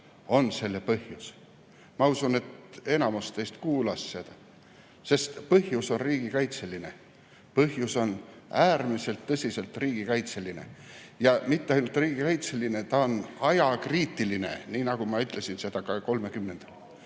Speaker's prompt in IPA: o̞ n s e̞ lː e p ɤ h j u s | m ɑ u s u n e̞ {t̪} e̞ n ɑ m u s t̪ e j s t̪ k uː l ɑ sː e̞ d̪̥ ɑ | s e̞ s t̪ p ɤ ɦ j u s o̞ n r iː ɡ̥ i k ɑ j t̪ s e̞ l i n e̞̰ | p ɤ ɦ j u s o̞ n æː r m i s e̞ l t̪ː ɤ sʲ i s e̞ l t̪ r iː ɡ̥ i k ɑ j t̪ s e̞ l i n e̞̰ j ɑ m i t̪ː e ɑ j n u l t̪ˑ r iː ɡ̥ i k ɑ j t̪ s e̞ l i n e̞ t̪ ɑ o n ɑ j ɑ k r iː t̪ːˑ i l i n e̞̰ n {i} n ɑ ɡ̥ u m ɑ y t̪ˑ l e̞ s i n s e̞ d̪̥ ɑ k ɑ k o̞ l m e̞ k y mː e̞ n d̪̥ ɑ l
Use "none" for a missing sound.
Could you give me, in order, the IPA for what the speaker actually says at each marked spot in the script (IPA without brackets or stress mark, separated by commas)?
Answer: t̪, iː